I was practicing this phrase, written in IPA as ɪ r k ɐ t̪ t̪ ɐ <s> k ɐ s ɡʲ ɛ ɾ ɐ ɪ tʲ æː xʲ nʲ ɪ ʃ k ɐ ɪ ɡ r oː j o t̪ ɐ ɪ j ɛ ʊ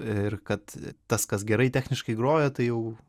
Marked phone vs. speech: correct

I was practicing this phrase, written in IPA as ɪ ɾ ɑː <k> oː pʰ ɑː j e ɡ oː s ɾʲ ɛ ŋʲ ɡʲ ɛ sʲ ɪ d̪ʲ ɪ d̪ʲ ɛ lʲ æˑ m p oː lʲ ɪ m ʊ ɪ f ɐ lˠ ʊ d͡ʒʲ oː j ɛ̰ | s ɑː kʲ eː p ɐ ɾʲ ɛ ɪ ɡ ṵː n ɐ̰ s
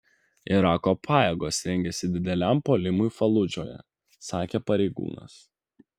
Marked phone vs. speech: correct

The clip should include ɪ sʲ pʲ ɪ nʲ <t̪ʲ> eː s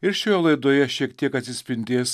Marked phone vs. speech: incorrect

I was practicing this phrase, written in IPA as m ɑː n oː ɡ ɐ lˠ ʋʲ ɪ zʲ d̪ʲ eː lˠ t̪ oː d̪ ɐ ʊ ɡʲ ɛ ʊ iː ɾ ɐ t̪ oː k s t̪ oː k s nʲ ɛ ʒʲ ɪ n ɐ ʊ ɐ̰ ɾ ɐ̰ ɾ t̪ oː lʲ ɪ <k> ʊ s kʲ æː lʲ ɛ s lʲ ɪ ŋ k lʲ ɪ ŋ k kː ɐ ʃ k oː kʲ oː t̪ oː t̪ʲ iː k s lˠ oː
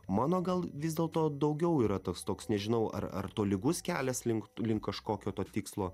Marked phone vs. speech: incorrect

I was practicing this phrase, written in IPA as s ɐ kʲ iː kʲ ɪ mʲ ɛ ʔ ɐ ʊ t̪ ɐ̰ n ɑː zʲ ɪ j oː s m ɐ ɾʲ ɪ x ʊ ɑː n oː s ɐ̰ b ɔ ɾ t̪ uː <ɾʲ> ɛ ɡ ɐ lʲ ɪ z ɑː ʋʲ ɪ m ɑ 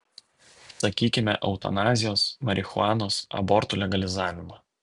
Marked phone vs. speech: incorrect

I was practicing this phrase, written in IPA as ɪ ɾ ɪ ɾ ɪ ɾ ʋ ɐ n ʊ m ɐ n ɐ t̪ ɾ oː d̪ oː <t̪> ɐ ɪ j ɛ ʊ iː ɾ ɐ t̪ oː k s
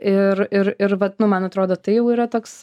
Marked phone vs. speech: correct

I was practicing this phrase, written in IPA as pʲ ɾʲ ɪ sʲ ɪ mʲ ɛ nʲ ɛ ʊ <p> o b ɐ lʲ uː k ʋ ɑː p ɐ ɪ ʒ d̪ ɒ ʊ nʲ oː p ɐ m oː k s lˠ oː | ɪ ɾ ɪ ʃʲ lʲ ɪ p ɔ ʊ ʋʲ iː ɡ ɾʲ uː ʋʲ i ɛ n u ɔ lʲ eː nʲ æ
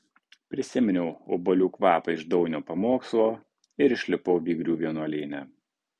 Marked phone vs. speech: incorrect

